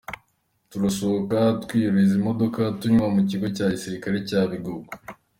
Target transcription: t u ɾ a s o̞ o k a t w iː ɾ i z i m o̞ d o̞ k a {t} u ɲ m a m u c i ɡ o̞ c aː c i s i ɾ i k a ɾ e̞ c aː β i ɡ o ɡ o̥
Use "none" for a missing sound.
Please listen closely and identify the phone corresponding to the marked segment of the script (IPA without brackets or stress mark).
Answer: t